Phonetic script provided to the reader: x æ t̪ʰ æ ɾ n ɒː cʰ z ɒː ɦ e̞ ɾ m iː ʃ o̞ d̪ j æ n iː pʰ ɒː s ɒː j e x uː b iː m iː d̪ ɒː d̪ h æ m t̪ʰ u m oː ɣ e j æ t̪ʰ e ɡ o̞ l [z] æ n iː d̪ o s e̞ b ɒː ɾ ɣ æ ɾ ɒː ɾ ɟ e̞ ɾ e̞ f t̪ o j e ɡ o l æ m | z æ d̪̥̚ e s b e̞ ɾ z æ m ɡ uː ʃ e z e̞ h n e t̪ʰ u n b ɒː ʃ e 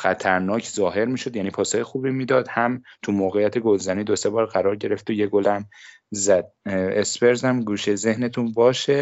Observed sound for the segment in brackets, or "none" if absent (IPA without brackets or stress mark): z